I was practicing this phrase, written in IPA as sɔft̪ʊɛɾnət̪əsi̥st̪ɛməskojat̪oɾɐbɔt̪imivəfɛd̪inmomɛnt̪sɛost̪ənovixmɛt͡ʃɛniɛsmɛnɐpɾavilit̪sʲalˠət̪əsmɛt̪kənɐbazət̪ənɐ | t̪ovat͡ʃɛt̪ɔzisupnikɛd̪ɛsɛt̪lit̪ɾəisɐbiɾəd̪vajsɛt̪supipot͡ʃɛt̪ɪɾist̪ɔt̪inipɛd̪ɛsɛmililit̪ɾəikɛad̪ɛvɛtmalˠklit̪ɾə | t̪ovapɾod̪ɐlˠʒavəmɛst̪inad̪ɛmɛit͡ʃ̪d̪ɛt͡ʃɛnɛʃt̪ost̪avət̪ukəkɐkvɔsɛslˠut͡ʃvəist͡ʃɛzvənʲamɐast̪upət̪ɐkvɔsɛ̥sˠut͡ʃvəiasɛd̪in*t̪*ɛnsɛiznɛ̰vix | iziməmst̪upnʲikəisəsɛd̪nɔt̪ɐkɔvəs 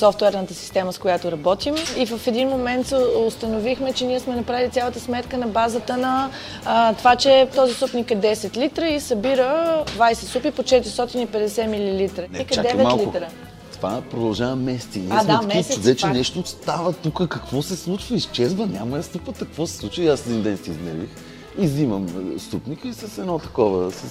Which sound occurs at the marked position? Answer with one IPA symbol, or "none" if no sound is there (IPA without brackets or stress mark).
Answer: d̪